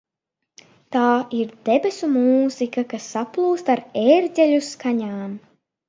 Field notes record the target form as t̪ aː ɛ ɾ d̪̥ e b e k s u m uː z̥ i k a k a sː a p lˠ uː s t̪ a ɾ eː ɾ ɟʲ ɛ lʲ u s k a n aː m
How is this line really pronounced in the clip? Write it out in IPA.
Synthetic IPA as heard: t̪ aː i ɾ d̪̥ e b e s u m uː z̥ i k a k a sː a p lˠ uː s t̪ a ɾ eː ɾ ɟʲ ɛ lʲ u s k a ɲ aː m